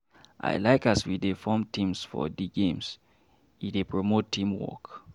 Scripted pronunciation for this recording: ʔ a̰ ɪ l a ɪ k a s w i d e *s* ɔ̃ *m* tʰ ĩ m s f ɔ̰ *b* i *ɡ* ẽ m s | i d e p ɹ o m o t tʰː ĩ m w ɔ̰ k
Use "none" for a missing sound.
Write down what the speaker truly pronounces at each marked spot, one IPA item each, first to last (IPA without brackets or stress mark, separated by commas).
f, m, d, ɡ